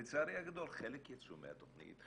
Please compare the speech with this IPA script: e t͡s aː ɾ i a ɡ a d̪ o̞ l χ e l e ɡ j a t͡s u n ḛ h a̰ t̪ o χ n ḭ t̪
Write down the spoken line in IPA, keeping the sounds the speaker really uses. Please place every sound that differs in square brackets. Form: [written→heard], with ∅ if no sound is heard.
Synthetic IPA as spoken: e t͡s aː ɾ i a ɡ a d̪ o̞ l χ e l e [ɡ→k] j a t͡s u [n→m] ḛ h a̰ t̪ o χ n ḭ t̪